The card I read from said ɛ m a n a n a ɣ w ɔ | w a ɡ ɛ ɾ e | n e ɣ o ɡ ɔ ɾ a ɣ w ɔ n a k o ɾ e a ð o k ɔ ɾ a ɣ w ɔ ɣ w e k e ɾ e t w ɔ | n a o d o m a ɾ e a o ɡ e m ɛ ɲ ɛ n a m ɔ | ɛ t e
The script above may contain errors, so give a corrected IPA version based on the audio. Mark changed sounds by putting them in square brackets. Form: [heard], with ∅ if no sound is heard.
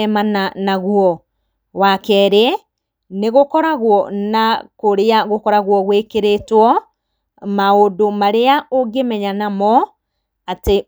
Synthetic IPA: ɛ m a n a n a ɣ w ɔ | w a [k] ɛ ɾ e | n e ɣ o [k] ɔ ɾ a ɣ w ɔ n a k o ɾ e a [ɣ] o k ɔ ɾ a ɣ w ɔ ɣ w e k e ɾ e t w ɔ | [m] a o d o m a ɾ e a o ɡ e m ɛ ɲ [a] n a m ɔ | [a] t e